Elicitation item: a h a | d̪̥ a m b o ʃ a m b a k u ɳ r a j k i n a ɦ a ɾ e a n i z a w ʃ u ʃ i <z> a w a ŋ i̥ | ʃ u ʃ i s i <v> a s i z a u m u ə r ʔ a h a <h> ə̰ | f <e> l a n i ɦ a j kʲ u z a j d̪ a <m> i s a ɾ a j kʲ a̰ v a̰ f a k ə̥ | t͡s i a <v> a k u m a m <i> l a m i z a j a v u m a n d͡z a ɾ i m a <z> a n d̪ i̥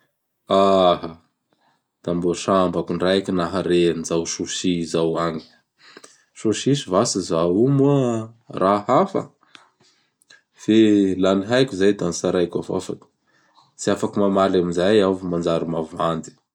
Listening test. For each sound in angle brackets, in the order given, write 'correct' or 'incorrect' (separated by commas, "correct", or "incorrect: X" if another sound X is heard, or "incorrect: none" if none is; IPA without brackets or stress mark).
correct, correct, incorrect: f, correct, incorrect: n, incorrect: f, incorrect: a, incorrect: v